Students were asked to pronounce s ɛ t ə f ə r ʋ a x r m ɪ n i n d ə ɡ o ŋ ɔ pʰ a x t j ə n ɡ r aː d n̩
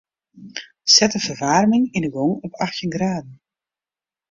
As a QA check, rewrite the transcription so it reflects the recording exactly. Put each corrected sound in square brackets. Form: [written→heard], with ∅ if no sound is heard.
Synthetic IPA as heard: s ɛ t ə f ə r ʋ a [x→∅] r m ɪ [n→ŋ] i n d ə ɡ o ŋ ɔ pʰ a x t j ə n ɡ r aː d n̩

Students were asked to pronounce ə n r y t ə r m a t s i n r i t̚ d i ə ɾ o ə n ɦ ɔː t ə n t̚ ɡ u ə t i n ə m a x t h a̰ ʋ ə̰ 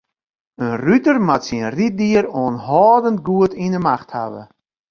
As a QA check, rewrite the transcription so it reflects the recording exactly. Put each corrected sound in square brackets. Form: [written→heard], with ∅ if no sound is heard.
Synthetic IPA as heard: ə n r y t ə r m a t s i n r i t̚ d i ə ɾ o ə n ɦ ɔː [t→d] ə n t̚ ɡ u ə t i n ə m a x t h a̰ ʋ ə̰

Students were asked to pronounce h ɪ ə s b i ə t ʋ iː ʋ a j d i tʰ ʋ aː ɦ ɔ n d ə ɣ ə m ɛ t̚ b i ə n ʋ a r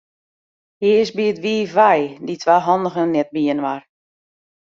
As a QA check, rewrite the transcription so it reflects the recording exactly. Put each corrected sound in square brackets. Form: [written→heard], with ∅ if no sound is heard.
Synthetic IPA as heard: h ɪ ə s b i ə t ʋ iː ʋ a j d i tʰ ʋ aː ɦ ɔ n d ə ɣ ə [m→n] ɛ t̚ b i ə n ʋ a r

